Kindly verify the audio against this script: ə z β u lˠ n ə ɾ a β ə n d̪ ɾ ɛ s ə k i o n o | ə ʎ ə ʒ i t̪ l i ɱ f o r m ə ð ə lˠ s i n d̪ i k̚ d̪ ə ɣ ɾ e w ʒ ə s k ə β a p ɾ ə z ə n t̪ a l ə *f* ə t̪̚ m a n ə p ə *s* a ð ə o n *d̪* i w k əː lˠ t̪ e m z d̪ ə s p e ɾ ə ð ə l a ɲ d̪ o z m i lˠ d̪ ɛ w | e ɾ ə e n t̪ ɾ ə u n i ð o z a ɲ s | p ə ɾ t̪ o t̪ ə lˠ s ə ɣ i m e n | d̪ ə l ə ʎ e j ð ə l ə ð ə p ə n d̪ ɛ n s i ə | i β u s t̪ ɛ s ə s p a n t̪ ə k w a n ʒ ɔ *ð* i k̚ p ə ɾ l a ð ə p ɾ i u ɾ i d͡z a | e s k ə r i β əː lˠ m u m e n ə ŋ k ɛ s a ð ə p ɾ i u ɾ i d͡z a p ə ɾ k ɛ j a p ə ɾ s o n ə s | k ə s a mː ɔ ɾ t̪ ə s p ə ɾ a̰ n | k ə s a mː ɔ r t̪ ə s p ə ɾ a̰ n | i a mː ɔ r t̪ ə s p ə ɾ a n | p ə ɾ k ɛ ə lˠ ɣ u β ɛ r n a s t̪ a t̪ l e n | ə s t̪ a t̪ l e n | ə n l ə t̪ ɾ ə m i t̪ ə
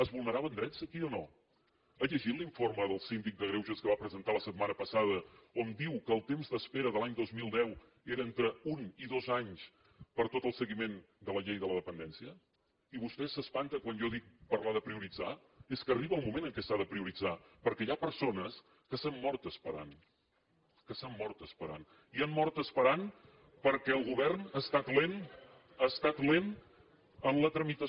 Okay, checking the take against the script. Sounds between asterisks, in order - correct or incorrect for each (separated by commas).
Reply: incorrect, correct, correct, correct